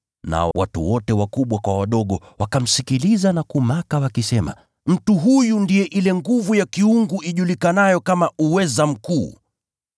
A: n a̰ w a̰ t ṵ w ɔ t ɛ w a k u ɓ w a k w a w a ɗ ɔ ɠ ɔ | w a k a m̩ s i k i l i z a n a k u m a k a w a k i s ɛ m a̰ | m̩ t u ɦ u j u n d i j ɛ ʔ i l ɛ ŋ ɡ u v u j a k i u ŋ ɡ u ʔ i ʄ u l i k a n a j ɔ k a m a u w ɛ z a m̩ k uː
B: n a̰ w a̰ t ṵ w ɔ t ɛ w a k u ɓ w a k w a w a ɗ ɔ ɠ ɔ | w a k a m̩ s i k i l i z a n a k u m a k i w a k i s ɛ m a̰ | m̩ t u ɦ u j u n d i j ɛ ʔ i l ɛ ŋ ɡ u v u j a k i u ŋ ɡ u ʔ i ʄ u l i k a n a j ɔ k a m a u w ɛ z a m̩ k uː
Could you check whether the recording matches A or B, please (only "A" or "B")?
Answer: A